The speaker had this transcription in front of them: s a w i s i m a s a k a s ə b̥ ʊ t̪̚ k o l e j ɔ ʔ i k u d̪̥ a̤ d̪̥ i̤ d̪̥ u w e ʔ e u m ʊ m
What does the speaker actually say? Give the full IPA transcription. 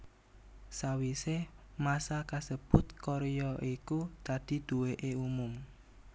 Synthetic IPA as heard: s a w i s e m a s a k a s ə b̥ ʊ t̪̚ k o ɾ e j ɔ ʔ i k u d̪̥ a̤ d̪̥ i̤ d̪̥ u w e ʔ e u m ʊ m